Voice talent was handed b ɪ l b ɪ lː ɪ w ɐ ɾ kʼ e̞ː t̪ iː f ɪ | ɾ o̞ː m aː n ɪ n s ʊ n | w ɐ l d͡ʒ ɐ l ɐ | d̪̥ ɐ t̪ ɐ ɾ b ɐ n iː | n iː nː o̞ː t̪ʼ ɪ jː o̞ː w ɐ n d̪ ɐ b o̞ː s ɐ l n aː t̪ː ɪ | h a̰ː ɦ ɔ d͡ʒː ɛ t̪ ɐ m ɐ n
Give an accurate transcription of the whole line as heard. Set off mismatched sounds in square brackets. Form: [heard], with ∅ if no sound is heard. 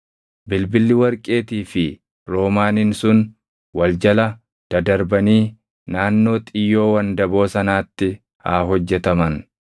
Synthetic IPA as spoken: b ɪ l b ɪ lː ɪ w ɐ ɾ kʼ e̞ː t̪ iː f ɪ | ɾ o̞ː m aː n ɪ n s ʊ n | w ɐ l d͡ʒ ɐ l ɐ | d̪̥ ɐ [d̪] ɐ ɾ b ɐ n iː | n [aː] nː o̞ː t̪ʼ ɪ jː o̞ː w ɐ n d̪ ɐ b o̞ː s ɐ [∅] n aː t̪ː ɪ | h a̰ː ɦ ɔ d͡ʒː ɛ t̪ ɐ m ɐ n